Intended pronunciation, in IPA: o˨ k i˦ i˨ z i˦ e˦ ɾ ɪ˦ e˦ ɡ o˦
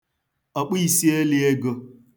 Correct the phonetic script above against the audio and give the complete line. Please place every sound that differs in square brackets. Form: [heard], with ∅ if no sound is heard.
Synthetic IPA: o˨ [k͡p] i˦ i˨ [s] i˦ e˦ [l] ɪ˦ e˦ ɡ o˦